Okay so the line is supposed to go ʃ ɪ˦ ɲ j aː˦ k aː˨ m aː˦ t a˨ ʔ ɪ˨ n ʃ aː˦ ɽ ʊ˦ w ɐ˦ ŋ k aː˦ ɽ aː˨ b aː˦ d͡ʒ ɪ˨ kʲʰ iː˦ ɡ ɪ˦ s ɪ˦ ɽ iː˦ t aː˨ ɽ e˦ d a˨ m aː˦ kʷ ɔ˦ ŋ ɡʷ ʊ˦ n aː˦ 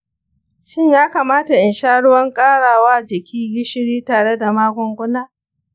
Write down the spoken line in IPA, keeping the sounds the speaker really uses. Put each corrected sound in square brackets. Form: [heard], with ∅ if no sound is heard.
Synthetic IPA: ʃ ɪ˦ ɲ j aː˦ k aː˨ m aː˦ t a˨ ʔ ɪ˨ n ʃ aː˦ ɽ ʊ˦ w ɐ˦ ŋ [kʼ] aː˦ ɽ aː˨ [w] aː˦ d͡ʒ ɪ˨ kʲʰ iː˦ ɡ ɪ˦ [ʃ] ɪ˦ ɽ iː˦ t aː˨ ɽ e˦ d a˨ m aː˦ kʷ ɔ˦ ŋ ɡʷ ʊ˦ n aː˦

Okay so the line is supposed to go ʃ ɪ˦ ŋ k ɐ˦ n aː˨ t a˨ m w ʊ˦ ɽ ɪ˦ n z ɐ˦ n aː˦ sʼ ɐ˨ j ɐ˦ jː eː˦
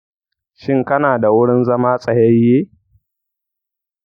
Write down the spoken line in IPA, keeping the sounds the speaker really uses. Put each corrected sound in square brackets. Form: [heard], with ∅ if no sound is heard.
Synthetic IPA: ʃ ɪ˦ ŋ k ɐ˦ n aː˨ [d] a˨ [∅] w ʊ˦ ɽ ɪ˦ n z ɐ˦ [m] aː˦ sʼ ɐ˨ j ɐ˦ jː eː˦

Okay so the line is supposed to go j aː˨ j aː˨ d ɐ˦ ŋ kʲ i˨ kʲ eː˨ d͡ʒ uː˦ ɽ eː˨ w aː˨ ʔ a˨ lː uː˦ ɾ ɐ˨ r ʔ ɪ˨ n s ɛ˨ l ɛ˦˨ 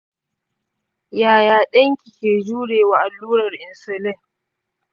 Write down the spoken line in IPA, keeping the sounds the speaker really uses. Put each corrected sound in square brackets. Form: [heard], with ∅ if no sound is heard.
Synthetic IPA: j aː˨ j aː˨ [ɗ] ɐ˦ ŋ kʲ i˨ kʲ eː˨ d͡ʒ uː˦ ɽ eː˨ w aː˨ ʔ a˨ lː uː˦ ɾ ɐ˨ r ʔ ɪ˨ n s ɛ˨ l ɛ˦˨

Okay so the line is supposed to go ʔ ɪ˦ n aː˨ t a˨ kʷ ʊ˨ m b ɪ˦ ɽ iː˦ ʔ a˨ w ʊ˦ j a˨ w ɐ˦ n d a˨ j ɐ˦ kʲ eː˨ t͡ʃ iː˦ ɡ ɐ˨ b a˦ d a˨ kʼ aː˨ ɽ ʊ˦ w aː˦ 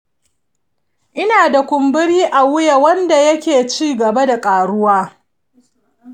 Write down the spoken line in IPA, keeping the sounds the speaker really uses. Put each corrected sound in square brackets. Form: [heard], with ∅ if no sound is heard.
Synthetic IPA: ʔ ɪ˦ n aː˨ [d] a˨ kʷ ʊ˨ m b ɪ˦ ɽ iː˦ ʔ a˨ w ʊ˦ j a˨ w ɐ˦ n d a˨ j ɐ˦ kʲ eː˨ t͡ʃ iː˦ ɡ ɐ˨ b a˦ d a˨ kʼ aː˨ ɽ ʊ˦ w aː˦

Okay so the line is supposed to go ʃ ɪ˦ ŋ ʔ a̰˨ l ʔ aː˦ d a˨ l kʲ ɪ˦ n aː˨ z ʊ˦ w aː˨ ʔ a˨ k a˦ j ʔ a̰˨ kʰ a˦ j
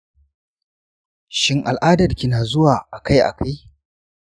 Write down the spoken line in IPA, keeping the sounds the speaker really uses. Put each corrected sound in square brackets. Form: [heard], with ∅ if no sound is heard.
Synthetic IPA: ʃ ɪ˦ ŋ ʔ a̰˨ l ʔ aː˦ d [ɐ˨] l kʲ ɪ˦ n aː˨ z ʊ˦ w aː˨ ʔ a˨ k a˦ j ʔ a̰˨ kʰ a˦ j

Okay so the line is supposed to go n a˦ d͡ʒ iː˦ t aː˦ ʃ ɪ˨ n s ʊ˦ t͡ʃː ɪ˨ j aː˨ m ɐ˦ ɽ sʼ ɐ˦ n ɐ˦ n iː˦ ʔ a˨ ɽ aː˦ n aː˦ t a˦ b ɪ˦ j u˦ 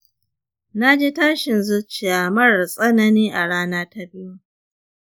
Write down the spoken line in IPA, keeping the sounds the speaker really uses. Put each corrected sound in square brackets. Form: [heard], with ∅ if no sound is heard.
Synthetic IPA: n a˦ d͡ʒ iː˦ t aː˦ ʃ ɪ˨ n [z] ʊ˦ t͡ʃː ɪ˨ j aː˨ m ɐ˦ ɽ sʼ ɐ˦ n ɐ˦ n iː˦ ʔ a˨ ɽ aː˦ n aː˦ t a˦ b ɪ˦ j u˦

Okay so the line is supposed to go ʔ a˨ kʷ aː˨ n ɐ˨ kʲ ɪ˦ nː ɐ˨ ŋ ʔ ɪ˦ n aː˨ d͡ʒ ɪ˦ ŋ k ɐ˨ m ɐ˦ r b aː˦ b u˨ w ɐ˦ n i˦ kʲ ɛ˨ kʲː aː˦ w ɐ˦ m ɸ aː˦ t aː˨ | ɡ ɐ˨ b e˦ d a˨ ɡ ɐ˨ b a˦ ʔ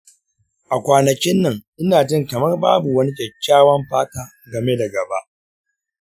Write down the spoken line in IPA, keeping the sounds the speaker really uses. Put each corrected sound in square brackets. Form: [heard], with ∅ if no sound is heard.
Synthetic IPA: ʔ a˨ kʷ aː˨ n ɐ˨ kʲ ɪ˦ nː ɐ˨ ŋ ʔ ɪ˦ n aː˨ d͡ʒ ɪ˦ ŋ k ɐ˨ m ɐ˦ r b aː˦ b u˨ w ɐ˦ n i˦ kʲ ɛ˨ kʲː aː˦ w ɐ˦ m ɸ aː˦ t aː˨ | ɡ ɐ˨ [m] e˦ d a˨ ɡ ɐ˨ b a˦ ʔ

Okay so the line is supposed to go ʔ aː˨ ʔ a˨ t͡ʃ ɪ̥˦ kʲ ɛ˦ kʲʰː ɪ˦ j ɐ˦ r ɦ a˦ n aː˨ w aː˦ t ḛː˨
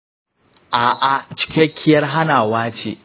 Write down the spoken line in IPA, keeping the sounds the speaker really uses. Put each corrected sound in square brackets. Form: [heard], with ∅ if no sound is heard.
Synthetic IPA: ʔ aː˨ ʔ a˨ t͡ʃ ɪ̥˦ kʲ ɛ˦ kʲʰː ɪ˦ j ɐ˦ r ɦ a˦ n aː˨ w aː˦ [t͡ʃ] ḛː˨

